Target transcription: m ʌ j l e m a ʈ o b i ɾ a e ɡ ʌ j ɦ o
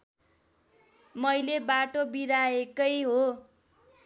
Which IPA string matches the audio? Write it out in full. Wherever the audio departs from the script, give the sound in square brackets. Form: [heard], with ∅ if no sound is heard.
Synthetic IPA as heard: m ʌ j l e [b] a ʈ o b i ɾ a e [k] ʌ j ɦ o